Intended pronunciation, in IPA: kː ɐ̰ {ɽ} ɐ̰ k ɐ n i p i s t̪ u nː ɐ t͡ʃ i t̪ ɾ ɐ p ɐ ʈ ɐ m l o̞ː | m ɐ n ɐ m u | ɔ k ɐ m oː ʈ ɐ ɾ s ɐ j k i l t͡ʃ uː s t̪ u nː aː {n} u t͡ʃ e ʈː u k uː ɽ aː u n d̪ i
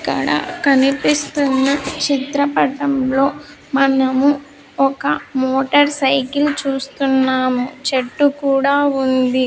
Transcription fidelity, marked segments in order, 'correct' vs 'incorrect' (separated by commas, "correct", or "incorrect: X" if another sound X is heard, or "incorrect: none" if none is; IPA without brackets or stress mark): correct, incorrect: m